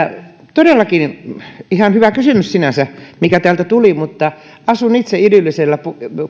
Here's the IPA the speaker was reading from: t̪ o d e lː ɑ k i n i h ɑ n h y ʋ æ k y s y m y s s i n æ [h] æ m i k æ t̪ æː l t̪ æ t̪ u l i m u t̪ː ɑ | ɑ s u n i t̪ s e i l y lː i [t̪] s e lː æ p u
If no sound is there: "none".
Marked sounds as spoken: s, none

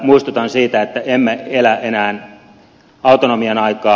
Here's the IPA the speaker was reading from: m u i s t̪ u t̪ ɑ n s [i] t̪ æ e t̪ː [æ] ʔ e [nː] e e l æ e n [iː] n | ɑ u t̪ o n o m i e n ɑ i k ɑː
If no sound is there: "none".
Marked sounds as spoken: iː, æ, mː, æː

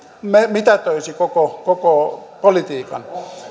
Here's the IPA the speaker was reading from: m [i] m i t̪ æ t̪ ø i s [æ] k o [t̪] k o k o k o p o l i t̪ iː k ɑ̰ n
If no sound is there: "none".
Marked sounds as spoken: e, i, none

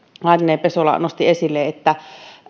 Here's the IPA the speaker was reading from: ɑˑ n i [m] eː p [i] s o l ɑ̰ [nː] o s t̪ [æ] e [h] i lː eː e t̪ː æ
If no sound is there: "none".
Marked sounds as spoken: n, e, n, i, s

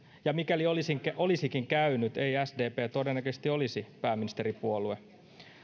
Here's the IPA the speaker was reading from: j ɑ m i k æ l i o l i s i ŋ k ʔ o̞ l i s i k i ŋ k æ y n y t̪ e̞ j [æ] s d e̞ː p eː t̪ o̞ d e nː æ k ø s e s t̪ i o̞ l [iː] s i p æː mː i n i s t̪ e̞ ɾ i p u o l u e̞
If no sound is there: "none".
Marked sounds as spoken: æ, i

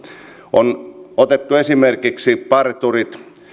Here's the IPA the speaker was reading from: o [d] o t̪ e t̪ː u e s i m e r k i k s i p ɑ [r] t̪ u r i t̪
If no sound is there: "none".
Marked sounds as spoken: n, r

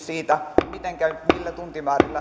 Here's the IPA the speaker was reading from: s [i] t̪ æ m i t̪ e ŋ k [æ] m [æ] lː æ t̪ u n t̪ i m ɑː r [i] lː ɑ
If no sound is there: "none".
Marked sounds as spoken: iː, æ, i, i

